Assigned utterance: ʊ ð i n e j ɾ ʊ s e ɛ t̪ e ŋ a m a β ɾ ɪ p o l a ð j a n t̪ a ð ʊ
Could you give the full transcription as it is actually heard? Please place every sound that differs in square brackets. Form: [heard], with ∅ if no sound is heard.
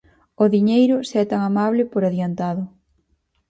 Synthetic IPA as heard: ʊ ð i [ɲ] e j ɾ ʊ s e ɛ t̪ [a] ŋ a m a β [l] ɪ p o [ɾ] a ð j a n t̪ a ð ʊ